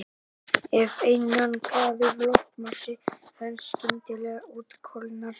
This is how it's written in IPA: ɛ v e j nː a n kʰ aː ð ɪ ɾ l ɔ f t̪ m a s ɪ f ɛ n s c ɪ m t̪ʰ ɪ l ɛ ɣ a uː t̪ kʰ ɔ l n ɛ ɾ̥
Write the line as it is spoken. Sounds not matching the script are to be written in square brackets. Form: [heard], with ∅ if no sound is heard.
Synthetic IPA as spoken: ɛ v e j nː a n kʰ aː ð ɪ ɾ l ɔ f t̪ m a s ɪ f ɛ n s c ɪ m [t̪] ɪ l ɛ ɣ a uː t̪ kʰ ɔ l n [a] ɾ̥